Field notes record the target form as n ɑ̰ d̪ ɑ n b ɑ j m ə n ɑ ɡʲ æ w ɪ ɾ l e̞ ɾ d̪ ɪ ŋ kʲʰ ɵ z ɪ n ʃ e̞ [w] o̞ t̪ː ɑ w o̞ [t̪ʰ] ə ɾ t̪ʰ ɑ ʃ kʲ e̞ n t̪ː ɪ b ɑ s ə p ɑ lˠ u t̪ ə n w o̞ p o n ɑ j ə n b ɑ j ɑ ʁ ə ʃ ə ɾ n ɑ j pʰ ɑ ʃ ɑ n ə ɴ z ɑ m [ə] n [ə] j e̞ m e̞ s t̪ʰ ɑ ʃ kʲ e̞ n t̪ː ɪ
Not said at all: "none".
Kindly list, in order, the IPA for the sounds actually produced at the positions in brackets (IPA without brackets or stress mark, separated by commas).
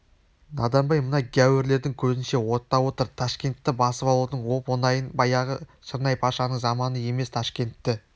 w, t̪, ɑ, ə